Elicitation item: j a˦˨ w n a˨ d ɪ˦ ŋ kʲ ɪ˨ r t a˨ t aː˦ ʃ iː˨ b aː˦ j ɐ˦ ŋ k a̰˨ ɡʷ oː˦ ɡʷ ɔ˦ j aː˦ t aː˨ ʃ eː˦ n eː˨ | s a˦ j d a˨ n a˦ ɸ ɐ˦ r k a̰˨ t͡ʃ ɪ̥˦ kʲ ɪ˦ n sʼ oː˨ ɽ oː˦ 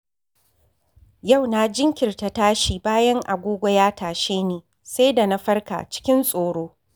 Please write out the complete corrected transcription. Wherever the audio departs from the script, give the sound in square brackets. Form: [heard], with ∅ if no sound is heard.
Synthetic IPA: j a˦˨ w n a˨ [d͡ʒ] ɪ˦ ŋ kʲ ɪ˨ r t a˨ t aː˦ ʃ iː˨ b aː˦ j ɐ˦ ŋ [ʔ] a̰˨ ɡʷ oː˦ ɡʷ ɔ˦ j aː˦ t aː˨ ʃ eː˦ n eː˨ | s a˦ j d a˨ n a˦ ɸ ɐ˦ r k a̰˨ t͡ʃ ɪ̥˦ kʲ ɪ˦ n sʼ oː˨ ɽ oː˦